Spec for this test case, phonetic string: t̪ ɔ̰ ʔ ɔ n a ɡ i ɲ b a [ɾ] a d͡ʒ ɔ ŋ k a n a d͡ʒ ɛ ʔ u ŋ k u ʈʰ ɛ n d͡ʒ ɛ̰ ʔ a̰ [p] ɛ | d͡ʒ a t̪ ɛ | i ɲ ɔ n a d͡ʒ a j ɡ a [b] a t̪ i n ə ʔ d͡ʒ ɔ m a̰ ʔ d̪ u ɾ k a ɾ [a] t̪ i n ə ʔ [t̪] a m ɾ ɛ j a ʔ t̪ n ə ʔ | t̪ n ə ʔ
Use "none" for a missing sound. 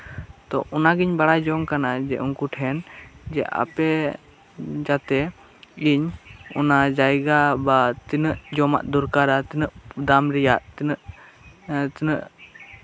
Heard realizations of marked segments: ɽ, p, b, a, d̪

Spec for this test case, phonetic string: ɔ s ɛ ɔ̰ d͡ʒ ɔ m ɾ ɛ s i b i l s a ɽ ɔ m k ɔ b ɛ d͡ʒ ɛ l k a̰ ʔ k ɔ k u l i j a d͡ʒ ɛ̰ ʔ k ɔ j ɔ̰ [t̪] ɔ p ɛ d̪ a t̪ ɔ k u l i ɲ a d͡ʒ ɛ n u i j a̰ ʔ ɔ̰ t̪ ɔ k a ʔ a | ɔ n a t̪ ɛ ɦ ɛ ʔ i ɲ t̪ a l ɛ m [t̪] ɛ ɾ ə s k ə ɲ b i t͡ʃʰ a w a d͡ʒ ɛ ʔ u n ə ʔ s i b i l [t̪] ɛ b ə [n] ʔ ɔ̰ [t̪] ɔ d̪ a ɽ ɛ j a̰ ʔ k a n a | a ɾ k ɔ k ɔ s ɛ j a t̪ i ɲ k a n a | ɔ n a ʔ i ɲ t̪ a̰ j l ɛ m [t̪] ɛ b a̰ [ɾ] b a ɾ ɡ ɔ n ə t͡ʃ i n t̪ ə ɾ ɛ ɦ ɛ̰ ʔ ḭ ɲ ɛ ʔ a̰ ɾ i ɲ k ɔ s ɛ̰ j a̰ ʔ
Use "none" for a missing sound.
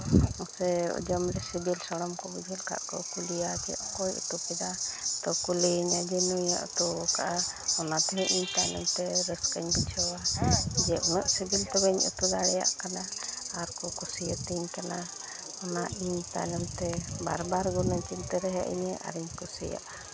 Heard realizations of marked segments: t̪, t̪, t̪, ɲ, t̪, t̪, ɾ

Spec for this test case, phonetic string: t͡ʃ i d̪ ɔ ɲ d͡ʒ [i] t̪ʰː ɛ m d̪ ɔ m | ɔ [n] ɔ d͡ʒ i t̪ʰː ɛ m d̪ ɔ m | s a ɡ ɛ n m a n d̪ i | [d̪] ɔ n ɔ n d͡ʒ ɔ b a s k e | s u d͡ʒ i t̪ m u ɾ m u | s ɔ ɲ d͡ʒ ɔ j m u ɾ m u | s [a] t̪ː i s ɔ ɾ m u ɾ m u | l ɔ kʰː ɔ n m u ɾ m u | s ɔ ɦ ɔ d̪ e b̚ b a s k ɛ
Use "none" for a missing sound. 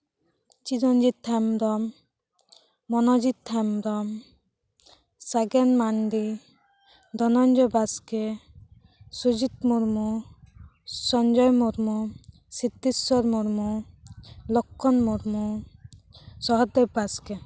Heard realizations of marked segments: i, n, d̪, i

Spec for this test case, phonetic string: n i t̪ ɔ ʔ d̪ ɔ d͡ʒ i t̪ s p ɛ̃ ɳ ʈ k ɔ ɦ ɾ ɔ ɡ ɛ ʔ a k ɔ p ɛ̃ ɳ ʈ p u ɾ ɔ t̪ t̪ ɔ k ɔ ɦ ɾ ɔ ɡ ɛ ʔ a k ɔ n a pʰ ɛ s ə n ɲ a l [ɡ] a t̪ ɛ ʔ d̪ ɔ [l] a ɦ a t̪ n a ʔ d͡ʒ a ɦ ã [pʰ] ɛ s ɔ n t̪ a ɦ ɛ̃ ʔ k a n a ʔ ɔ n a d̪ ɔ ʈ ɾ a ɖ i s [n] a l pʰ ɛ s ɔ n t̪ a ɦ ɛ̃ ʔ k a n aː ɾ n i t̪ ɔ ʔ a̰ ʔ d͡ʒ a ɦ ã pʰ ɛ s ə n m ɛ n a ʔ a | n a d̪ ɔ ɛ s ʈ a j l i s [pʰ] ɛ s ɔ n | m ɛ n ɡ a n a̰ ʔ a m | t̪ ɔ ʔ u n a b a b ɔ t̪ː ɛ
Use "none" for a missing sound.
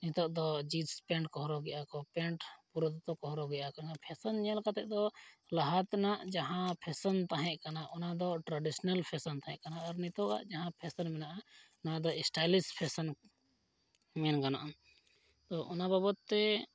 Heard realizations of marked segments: k, l, pʰ, n, pʰ

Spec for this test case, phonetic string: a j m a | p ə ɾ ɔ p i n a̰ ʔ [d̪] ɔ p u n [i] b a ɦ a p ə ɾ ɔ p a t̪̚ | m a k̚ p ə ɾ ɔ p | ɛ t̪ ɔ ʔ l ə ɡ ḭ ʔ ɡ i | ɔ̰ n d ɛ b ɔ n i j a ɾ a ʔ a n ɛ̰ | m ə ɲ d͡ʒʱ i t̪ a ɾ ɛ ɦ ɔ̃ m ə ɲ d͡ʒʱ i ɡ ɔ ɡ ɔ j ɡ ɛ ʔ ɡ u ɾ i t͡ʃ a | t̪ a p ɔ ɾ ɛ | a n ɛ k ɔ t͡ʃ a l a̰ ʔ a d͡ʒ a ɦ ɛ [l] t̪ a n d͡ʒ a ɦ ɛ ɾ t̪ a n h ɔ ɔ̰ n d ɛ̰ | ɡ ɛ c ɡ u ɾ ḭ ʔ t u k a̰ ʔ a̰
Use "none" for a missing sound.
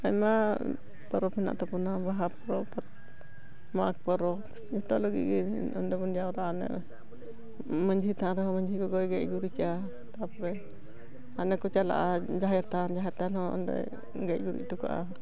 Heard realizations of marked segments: t̪, a, ɾ

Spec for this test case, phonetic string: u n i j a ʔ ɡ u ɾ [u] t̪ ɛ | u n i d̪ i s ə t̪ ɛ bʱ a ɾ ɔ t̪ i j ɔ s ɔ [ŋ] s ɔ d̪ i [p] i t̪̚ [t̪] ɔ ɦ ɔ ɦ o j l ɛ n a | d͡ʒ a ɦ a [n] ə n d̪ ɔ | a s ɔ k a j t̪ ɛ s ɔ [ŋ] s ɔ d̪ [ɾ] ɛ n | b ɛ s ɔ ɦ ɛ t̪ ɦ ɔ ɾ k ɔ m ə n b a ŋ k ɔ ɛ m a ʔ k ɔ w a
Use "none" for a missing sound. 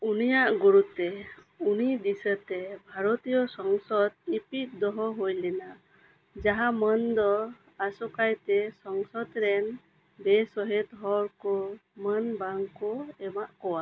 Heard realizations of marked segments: u, ŋ, p, d̪, m, ŋ, ɾ

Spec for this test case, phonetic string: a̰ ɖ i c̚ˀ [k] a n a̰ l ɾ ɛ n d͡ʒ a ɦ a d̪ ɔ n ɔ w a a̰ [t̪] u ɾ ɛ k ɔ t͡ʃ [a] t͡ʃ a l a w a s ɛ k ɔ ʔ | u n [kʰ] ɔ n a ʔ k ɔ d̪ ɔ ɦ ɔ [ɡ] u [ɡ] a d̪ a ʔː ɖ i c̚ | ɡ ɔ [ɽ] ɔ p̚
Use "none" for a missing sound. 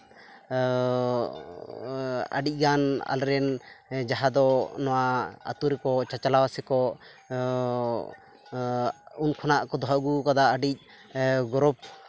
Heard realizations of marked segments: ɡ, t̪, a, kʰ, ɡ, k, ɾ

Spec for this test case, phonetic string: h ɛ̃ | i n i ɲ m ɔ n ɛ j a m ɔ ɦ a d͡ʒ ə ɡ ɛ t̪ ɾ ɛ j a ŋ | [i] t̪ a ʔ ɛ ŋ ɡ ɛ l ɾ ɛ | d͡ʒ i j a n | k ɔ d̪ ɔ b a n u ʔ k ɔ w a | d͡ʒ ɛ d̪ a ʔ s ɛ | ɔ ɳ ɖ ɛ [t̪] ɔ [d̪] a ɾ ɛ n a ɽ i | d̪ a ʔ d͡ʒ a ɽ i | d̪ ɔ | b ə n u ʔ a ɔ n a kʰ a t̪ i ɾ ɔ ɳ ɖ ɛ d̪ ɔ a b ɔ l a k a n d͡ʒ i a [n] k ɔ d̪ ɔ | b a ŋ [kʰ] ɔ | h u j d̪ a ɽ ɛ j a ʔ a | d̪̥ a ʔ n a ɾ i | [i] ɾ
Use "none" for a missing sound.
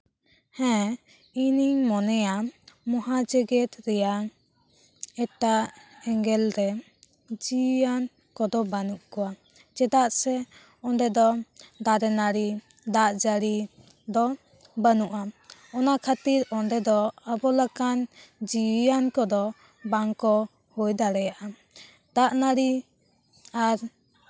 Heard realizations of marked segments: ɛ, d̪, d̪, n, k, a

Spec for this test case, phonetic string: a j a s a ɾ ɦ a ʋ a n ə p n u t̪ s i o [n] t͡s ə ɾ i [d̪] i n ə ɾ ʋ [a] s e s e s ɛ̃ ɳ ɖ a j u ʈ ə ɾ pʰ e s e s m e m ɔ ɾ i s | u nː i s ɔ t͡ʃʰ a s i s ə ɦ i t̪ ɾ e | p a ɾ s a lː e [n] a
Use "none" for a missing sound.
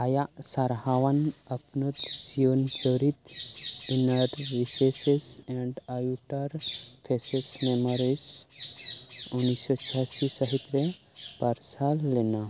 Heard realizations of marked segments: n, t̪, i, n

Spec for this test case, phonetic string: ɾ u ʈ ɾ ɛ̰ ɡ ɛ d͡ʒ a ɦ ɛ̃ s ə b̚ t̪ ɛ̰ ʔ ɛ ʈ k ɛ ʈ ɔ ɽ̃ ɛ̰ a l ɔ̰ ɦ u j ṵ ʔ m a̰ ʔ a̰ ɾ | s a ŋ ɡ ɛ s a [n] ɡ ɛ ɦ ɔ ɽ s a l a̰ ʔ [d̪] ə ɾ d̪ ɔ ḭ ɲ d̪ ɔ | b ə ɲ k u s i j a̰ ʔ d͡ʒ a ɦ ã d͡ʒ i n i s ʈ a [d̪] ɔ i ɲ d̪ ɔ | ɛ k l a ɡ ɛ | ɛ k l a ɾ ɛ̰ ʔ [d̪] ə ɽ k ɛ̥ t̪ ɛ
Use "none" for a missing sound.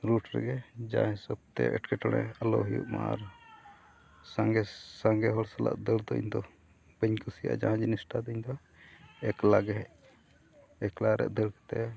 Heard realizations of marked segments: ŋ, d̪, d̪, d̪

